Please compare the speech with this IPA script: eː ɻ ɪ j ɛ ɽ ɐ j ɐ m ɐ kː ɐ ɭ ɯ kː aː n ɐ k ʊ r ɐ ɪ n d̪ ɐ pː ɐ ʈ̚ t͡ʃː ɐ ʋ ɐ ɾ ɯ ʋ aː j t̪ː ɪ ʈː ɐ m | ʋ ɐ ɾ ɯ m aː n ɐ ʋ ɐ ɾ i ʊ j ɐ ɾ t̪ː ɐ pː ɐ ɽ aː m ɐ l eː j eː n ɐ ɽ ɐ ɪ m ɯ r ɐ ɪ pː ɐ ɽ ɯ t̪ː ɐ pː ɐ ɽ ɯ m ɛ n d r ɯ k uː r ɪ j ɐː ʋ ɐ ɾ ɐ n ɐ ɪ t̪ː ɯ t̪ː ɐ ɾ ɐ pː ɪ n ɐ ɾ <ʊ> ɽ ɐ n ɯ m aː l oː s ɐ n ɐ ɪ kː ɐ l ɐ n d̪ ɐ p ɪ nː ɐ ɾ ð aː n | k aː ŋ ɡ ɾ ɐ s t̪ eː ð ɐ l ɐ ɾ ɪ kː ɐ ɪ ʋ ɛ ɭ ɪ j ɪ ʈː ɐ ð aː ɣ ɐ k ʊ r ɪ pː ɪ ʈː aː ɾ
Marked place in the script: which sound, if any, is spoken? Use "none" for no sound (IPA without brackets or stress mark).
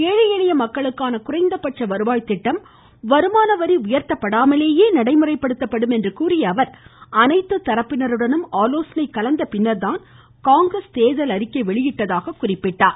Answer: ɯ